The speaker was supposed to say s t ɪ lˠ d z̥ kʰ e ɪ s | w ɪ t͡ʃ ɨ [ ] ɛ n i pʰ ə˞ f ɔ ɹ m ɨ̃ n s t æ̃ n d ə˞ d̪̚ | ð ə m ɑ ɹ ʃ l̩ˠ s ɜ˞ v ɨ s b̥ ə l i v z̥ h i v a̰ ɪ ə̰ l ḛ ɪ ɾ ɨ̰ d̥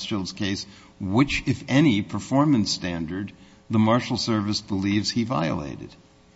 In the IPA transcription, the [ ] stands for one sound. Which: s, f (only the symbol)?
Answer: f